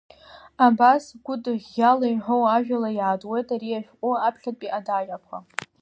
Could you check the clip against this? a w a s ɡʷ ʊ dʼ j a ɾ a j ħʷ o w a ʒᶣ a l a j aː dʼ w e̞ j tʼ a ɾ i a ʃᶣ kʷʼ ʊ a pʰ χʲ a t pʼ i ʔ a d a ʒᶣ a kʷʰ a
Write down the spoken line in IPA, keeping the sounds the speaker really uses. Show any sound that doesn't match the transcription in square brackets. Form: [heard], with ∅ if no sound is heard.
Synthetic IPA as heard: a [b] a s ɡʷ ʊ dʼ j a [l] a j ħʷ o w a ʒᶣ a l a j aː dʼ w e̞ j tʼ a ɾ i a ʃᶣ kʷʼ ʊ a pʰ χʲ a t pʼ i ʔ a d a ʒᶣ a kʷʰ a